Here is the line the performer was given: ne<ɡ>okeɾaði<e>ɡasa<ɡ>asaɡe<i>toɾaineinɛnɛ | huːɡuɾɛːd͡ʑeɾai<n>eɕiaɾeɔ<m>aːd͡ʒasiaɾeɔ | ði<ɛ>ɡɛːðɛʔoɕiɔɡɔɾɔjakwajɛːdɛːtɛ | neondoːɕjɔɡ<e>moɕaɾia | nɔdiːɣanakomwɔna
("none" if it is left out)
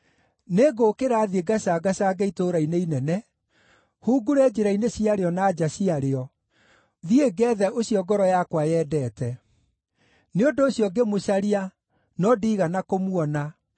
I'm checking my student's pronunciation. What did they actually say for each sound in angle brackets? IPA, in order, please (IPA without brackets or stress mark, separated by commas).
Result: ɡ, e, ɡ, i, n, n, e, e